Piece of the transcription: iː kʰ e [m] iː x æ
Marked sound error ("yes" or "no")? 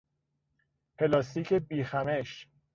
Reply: yes